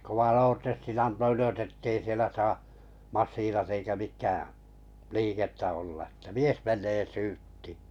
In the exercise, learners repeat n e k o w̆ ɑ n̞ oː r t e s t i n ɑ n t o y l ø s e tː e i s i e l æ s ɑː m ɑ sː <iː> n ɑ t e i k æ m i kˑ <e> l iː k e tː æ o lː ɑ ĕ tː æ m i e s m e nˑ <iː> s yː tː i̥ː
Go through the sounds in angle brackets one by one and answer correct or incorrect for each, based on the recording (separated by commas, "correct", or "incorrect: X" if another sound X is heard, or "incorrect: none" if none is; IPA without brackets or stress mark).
correct, incorrect: æ, incorrect: eː